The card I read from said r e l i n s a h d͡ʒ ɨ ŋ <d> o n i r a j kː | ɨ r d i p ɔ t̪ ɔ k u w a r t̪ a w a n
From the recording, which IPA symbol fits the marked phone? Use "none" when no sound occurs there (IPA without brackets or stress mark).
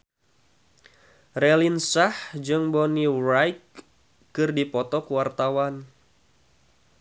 b